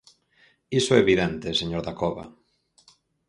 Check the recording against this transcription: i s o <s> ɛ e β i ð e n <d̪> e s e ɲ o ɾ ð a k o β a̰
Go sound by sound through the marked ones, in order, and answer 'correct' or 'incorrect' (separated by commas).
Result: incorrect, incorrect